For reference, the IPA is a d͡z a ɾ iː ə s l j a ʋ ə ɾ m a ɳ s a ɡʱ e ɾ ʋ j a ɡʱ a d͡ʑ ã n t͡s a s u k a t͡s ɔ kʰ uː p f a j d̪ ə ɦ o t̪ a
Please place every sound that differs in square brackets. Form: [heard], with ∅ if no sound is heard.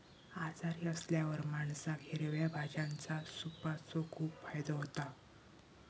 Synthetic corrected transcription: a d͡z a ɾ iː ə s l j a ʋ ə ɾ m a ɳ s a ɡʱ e ɾ ʋ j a [bʱ] a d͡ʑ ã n t͡s a s u [p] a t͡s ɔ kʰ uː p f a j d̪ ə ɦ o t̪ a